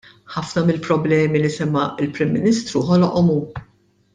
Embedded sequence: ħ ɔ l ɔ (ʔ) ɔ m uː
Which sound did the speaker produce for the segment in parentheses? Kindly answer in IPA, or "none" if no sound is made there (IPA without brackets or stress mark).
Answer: ʔ